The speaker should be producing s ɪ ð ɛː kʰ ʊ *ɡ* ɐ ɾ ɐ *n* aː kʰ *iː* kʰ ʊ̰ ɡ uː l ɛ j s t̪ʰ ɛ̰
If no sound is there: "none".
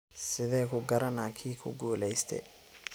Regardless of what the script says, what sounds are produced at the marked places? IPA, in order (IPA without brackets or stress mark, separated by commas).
ɡ, n, iː